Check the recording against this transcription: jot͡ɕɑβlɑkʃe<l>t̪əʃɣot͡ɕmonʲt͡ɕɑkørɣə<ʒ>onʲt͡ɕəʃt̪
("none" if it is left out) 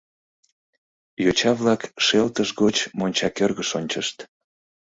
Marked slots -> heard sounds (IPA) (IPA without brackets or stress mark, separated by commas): l, ʃ